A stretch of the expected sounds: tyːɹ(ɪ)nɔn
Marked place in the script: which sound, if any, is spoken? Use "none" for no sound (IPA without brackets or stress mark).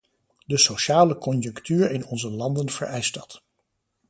ɪ